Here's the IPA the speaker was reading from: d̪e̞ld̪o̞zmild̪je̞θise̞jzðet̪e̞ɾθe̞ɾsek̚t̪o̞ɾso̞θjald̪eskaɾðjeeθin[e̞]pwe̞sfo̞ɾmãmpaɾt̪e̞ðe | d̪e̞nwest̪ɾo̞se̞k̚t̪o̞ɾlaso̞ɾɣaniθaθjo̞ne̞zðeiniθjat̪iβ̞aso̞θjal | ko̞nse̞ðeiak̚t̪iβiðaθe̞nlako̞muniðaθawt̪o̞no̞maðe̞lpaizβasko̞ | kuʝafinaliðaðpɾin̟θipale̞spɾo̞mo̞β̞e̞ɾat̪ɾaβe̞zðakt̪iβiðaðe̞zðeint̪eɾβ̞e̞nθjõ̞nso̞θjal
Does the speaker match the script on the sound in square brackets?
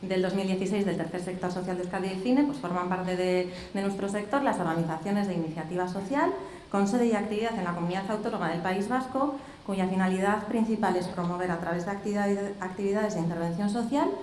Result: yes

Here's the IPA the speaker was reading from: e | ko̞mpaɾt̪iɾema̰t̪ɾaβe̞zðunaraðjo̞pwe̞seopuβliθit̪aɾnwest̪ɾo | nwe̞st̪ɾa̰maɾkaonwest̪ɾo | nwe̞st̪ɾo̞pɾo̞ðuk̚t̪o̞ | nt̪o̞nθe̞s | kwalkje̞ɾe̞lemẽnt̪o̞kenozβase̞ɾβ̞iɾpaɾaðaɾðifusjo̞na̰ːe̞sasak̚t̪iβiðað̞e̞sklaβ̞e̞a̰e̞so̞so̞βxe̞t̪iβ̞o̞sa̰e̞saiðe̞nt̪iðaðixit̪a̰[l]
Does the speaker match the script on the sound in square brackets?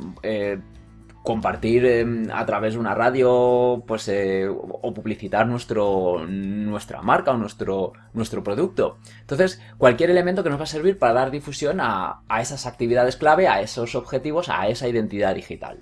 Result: yes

